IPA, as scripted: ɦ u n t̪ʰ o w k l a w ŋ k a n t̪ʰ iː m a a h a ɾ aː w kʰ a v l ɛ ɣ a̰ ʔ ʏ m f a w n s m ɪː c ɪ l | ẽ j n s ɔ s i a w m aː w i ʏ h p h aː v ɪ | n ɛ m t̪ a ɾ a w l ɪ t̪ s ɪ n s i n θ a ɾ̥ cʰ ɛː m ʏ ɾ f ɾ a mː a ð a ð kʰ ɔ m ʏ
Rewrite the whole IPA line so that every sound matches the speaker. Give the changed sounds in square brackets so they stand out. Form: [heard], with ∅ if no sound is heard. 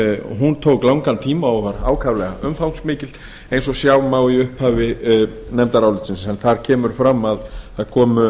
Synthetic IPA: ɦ u n t̪ʰ o w k l a w ŋ k a n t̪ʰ iː m a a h a ɾ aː w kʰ a v l ɛ ɣ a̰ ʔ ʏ m f a w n s m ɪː c ɪ l | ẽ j n s ɔ s [j] a w m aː w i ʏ h p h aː v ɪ | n ɛ m t̪ a ɾ a w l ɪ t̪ s ɪ n s [ɛ] n θ a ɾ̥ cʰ ɛː m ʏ ɾ f ɾ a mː a ð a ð kʰ [ɔː] m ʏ

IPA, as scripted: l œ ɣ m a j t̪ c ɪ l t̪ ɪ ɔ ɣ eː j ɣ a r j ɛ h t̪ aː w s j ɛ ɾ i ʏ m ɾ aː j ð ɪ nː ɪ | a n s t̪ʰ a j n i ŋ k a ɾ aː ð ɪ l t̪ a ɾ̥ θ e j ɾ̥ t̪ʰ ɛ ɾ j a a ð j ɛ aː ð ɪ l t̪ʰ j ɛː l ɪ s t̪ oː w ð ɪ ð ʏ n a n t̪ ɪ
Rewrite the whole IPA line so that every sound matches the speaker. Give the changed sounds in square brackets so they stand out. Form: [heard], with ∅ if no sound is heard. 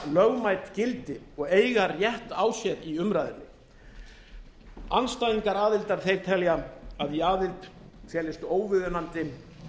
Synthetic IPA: l œ ɣ m a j t̪ c ɪ l t̪ ɪ ɔ ɣ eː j ɣ a r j ɛ h t̪ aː w s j ɛ ɾ i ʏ m ɾ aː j ð ɪ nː ɪ | a n s [t̪] a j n i ŋ k a ɾ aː ð ɪ l t̪ a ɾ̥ θ e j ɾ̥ t̪ʰ ɛ [l] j a a ð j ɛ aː ð ɪ l t̪ʰ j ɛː l ɪ s t̪ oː w [v] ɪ ð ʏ n a n t̪ ɪ

